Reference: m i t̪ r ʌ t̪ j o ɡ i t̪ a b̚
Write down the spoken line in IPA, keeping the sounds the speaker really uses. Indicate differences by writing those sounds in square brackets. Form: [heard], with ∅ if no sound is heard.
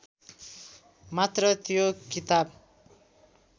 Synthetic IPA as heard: m [a] t̪ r ʌ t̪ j o [k] i t̪ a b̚